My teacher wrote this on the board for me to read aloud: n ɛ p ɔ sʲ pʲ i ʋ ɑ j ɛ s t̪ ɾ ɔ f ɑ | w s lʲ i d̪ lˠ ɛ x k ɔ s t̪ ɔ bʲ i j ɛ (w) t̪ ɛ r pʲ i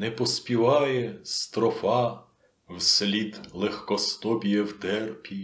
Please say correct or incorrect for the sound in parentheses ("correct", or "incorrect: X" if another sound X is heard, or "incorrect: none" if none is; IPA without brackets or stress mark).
correct